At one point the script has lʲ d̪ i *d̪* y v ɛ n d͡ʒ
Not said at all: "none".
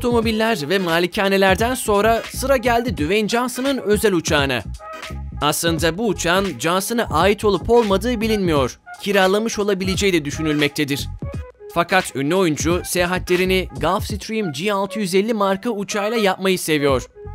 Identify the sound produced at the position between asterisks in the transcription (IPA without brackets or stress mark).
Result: d̪